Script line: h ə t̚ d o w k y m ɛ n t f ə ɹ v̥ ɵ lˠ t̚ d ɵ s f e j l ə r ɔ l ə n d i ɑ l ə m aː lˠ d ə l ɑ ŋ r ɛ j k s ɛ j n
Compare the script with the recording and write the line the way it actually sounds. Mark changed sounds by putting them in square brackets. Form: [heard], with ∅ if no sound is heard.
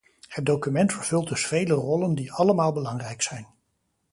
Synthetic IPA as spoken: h ə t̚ d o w k y m ɛ n t f ə ɹ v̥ ɵ lˠ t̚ d ɵ s f e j l ə r ɔ l ə n d i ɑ l ə m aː lˠ [b] ə l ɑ ŋ r ɛ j k s ɛ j n